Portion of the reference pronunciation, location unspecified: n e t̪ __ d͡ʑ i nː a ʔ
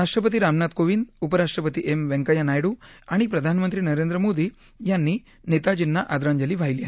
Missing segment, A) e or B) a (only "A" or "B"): B